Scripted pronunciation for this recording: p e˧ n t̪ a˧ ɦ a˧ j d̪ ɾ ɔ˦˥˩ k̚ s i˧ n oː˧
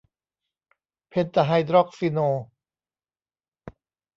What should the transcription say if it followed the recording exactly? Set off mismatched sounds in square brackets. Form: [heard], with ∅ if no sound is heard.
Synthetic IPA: [pʰ] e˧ n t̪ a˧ ɦ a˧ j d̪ ɾ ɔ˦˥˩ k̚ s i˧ n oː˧

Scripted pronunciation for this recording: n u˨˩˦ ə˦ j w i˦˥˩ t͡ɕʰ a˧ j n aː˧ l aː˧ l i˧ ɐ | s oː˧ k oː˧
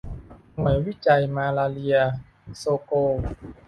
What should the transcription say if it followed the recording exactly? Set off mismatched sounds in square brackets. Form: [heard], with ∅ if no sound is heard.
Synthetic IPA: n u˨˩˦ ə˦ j w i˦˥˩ [t͡ɕ] a˧ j [m] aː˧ l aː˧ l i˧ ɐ | s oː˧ k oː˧

